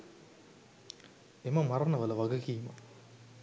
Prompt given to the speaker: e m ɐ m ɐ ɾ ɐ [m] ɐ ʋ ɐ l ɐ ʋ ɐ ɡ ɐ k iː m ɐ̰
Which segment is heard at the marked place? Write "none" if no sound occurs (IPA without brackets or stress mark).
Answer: n